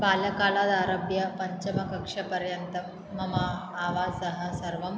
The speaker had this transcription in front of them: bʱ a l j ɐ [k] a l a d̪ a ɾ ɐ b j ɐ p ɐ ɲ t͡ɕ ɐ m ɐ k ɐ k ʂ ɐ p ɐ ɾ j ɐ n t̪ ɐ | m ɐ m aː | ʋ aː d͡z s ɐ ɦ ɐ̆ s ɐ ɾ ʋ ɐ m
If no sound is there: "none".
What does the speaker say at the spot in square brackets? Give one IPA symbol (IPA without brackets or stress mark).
k